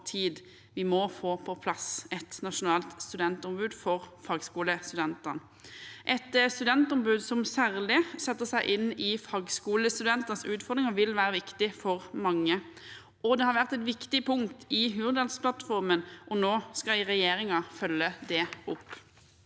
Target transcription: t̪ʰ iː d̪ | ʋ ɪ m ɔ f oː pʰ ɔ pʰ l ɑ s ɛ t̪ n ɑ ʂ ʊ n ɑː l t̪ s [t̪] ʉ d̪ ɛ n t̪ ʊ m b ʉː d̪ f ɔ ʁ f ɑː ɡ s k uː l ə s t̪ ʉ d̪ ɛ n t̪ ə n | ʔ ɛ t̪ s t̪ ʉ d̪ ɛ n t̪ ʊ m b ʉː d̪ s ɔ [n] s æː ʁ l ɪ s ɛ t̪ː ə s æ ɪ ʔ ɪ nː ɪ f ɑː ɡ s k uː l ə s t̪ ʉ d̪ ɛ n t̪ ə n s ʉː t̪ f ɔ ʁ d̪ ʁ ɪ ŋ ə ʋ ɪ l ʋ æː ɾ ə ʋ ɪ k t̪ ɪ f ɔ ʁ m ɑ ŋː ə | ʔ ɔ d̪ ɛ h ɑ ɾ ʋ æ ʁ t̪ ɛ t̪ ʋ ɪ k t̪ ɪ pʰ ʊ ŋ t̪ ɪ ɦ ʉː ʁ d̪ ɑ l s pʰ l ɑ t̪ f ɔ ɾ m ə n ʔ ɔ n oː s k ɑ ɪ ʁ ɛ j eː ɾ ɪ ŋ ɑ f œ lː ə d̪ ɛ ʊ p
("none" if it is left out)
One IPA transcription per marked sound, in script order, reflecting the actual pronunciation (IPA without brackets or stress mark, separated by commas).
t̪, m